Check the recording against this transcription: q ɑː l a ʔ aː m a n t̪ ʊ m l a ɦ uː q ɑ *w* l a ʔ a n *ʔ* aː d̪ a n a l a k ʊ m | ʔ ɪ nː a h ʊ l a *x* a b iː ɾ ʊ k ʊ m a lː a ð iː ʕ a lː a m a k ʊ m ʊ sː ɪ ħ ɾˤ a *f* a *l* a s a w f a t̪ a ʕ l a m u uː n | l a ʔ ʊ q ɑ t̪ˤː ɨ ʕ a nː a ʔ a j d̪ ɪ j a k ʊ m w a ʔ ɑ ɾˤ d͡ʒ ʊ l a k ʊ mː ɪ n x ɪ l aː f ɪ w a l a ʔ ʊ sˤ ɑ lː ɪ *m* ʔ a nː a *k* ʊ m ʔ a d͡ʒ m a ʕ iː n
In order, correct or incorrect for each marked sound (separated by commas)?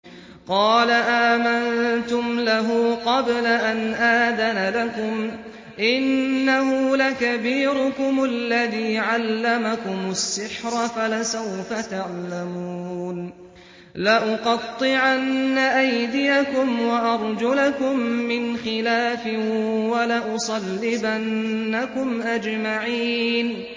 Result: incorrect, correct, incorrect, correct, correct, incorrect, correct